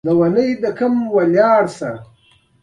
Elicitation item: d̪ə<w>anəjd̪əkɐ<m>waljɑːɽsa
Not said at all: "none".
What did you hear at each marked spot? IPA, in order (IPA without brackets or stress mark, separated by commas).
w, m